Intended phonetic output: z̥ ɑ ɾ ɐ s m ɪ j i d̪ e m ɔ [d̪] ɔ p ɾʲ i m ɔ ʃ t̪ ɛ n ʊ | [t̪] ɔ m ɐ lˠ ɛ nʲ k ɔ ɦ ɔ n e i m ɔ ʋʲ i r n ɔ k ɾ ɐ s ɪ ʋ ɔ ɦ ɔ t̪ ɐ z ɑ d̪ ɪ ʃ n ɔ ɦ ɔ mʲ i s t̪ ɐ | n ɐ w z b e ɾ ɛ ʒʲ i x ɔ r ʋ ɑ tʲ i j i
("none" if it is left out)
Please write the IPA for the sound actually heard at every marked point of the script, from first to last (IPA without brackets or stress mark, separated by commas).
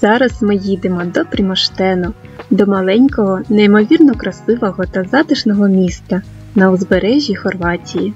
d̪, d̪